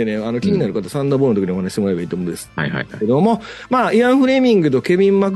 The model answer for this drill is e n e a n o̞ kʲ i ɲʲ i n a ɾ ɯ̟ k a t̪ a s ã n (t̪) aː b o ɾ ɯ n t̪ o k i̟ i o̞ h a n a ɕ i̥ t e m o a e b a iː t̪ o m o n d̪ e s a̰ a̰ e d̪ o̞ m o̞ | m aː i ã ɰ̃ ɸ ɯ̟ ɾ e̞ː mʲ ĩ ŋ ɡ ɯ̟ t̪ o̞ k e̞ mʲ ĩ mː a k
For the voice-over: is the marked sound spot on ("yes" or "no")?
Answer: no